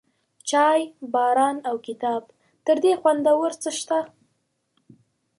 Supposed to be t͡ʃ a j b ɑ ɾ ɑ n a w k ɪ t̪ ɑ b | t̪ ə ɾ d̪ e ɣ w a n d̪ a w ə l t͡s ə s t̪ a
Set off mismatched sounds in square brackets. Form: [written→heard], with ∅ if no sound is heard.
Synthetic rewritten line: t͡ʃ [a→ɑ] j b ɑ ɾ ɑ n a w k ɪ t̪ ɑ b | t̪ ə ɾ d̪ e [ɣ→x] w a n d̪ a w ə [l→ɾ] t͡s ə [s→ʃ] t̪ a